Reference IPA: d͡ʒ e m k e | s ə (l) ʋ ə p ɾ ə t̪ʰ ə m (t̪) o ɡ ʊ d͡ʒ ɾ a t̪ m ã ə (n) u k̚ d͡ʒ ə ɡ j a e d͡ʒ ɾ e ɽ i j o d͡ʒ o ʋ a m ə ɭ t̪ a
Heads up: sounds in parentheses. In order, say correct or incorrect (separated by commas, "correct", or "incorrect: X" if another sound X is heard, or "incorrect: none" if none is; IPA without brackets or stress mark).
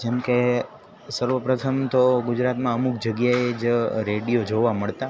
incorrect: ɾ, correct, incorrect: m